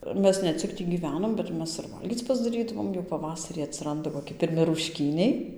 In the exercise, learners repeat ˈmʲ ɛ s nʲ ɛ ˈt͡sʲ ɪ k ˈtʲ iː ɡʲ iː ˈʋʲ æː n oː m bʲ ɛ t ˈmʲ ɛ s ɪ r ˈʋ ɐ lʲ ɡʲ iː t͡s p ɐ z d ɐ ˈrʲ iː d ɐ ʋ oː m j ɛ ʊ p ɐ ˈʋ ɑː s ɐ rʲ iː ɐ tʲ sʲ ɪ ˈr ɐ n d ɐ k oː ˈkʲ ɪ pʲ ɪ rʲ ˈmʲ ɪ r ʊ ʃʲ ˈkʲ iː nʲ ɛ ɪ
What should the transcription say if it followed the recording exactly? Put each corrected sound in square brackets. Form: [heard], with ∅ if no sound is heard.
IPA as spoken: ˈmʲ ɛ s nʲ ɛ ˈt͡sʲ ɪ k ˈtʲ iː ɡʲ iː ˈʋʲ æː n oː m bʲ ɛ t ˈmʲ ɛ s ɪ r ˈʋ ɐ lʲ ɡʲ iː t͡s p ɐ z d ɐ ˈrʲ iː d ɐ ʋ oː m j ɛ ʊ p ɐ ˈʋ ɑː s ɐ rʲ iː ɐ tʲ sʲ ɪ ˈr ɐ n d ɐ k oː ˈkʲ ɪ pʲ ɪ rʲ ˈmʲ ɪ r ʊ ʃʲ ˈkʲ iː nʲ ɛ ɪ

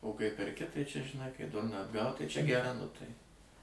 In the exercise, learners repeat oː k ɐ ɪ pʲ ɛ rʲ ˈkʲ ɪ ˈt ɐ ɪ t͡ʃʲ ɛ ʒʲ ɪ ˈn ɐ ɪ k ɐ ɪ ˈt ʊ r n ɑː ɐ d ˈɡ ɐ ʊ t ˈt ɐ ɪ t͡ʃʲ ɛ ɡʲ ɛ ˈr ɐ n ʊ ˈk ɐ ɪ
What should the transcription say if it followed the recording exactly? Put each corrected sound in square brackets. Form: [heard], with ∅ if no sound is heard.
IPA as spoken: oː k ɐ ɪ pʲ ɛ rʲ ˈkʲ ɪ ˈt ɐ ɪ t͡ʃʲ ɛ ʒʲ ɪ ˈn ɐ ɪ k ɐ ɪ [ˈd] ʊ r n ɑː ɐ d ˈɡ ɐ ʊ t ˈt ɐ ɪ t͡ʃʲ ɛ ɡʲ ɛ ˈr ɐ n ʊ [ˈt] ɐ ɪ

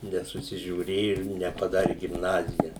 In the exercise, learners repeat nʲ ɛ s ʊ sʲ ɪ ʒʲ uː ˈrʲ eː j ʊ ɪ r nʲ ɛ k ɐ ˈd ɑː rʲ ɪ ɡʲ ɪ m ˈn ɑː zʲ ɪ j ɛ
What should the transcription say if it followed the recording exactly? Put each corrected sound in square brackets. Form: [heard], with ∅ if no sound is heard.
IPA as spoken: nʲ ɛ s ʊ sʲ ɪ ʒʲ uː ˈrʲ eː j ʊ ɪ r nʲ ɛ [p] ɐ ˈd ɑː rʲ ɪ ɡʲ ɪ m ˈn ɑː zʲ ɪ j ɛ

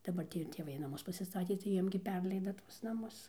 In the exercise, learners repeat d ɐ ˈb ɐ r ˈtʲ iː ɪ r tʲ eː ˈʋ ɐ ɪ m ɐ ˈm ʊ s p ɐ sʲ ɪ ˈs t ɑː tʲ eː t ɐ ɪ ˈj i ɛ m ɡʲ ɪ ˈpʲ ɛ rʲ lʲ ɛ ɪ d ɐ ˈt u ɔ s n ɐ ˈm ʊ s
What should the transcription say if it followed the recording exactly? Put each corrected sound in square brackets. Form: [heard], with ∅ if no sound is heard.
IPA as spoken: d ɐ ˈb ɐ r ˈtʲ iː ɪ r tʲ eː ˈʋ ɐ ɪ [n] ɐ ˈm ʊ s p ɐ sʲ ɪ ˈs t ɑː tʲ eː t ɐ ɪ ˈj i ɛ m ɡʲ ɪ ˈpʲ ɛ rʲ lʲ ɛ ɪ d ɐ ˈt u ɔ s n ɐ ˈm ʊ s

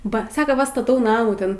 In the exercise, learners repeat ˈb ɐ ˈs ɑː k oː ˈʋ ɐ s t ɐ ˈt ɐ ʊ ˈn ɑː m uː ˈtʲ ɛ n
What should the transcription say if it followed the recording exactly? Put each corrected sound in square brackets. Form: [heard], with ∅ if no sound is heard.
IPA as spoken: ˈb ɐ ˈs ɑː k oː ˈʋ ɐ s t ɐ ˈt ɐ ʊ ˈn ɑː m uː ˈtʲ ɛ n

